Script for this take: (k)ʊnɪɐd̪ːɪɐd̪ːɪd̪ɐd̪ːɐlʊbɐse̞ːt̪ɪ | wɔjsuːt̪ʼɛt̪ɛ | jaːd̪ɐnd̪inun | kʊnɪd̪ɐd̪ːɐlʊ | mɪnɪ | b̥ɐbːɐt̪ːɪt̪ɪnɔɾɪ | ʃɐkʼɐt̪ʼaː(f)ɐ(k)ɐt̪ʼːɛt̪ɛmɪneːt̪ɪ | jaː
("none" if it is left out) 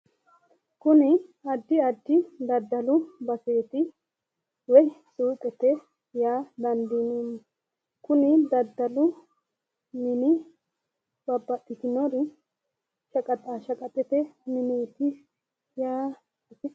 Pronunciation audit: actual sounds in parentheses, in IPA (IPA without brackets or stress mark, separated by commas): k, ʃ, kʼ